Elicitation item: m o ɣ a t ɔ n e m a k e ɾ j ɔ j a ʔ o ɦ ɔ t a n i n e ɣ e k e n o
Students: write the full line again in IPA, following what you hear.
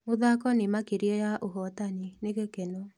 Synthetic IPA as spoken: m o ð a k ɔ n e m a k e ɾ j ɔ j a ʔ o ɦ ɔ t a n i n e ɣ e k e n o